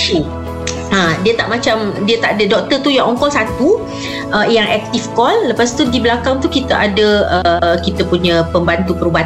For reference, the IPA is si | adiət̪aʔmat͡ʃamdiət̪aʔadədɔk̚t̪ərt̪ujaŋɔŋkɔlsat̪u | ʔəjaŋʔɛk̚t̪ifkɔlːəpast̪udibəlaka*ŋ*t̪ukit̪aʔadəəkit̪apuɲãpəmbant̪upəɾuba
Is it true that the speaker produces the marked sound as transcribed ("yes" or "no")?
yes